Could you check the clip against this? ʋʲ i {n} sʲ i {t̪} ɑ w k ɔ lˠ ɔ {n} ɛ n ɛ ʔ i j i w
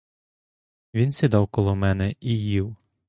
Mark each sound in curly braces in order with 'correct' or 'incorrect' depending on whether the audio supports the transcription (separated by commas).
correct, incorrect, incorrect